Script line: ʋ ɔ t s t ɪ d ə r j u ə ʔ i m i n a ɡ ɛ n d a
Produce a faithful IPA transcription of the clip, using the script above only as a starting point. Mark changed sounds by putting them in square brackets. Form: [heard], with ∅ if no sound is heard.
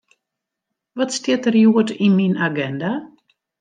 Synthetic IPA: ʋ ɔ t s t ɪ [t] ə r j u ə [t] i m i n a ɡ ɛ n d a